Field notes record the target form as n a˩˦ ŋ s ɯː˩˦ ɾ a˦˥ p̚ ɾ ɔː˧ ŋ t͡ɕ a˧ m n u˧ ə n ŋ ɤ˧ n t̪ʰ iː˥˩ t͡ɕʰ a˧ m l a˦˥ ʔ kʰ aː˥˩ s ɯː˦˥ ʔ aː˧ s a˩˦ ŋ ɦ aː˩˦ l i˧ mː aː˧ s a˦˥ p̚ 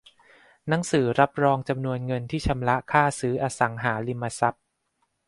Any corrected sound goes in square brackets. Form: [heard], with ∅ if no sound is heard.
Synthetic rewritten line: n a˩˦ ŋ s ɯː˩˦ ɾ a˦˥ p̚ ɾ ɔː˧ ŋ t͡ɕ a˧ m n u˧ ə n ŋ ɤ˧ n t̪ʰ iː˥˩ t͡ɕʰ a˧ m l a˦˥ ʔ kʰ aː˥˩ s ɯː˦˥ ʔ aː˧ s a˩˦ ŋ ɦ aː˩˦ l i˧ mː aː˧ s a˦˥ p̚

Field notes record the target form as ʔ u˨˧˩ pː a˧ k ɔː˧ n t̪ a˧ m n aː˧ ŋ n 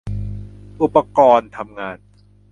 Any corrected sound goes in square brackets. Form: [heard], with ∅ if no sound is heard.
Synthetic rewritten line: ʔ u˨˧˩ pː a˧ k ɔː˧ n [t̪ʰ] a˧ m [ŋ] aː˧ [∅] n

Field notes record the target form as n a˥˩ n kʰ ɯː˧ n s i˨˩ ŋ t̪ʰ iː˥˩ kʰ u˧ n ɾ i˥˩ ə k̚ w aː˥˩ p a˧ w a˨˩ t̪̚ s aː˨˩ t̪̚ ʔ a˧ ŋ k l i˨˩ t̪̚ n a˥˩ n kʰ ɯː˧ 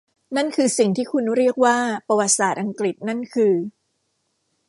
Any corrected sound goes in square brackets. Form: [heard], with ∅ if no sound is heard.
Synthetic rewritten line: n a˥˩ n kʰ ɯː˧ [∅] s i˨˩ ŋ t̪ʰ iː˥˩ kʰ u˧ n ɾ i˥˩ ə k̚ w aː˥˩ p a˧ w a˨˩ t̪̚ s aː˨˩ t̪̚ ʔ a˧ ŋ k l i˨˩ t̪̚ n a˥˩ n kʰ ɯː˧

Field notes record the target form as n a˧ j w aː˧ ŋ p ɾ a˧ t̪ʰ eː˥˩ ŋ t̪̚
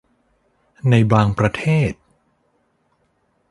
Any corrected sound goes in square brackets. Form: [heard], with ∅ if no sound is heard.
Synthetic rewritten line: n a˧ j [b] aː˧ ŋ p ɾ a˧ t̪ʰ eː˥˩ [∅] t̪̚

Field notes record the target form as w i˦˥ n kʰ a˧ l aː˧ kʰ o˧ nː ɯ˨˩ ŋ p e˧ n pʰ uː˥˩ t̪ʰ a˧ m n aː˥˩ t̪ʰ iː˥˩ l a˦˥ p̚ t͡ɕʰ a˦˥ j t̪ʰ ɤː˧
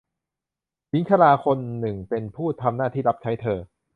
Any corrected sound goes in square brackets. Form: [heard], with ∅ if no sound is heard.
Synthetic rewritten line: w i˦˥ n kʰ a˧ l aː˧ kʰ o˧ nː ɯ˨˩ ŋ p e˧ n pʰ uː˥˩ t̪ʰ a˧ m n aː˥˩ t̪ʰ iː˥˩ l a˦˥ p̚ t͡ɕʰ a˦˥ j t̪ʰ ɤː˧

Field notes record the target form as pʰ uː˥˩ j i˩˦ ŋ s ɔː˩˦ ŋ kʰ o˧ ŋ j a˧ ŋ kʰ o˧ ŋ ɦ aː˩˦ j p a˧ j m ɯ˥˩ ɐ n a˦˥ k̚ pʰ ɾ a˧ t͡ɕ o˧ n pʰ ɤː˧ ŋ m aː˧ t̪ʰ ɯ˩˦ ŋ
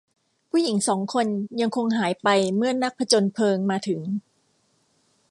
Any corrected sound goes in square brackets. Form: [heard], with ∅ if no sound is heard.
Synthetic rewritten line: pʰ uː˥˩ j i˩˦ ŋ s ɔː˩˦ ŋ kʰ o˧ [n] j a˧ ŋ kʰ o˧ ŋ ɦ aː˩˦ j p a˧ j m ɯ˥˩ ɐ n a˦˥ k̚ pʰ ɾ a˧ t͡ɕ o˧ n pʰ ɤː˧ ŋ m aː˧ t̪ʰ ɯ˩˦ ŋ

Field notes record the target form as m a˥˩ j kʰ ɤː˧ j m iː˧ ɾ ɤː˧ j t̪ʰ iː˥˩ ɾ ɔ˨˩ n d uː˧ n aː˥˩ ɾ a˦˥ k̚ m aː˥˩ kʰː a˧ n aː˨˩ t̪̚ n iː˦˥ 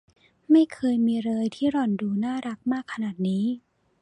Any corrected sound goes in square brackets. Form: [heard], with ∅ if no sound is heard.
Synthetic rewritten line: m a˥˩ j kʰ ɤː˧ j m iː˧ ɾ ɤː˧ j t̪ʰ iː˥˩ ɾ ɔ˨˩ n d uː˧ n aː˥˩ ɾ a˦˥ k̚ m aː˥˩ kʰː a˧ n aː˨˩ t̪̚ n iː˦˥

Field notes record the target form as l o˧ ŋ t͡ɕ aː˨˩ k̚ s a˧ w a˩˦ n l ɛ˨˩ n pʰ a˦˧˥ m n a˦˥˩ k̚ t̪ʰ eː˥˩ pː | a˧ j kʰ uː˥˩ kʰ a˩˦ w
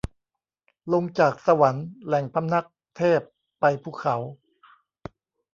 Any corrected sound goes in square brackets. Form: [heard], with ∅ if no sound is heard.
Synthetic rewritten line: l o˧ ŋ t͡ɕ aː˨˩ k̚ s a˧ w a˩˦ n l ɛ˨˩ [ŋ] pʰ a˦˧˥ m n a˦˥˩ k̚ t̪ʰ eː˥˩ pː | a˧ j [pʰ] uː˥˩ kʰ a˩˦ w

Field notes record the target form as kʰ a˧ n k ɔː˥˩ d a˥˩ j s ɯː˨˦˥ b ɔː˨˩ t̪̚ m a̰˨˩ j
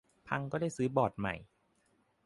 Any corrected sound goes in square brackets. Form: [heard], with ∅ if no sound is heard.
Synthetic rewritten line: [pʰ] a˧ [ŋ] k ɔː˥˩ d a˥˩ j s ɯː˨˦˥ b ɔː˨˩ t̪̚ m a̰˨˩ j

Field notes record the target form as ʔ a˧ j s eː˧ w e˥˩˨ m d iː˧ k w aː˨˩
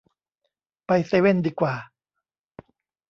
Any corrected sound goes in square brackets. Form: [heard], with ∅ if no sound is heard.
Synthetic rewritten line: [p] a˧ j s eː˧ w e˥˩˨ [n] d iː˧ k w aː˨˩

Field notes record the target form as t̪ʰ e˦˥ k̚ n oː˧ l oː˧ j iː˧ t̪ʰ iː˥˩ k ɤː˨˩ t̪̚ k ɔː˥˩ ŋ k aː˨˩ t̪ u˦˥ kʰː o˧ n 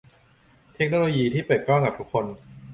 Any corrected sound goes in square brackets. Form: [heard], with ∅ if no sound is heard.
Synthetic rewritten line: t̪ʰ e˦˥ k̚ n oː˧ l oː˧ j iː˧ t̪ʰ iː˥˩ [p] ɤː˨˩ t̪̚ k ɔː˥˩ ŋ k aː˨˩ t̪ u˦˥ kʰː o˧ n

